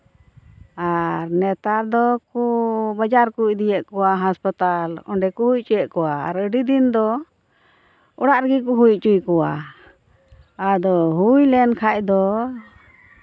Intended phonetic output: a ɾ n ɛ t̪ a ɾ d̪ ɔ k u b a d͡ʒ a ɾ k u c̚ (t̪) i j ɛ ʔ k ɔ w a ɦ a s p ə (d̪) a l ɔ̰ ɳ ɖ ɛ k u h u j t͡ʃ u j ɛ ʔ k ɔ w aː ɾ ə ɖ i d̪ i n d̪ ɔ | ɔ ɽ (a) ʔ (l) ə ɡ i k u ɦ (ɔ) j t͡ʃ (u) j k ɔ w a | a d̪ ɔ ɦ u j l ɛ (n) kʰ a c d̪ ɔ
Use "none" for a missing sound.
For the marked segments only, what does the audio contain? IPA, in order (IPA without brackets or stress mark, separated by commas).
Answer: d̪, t̪, a, ɾ, u, u, n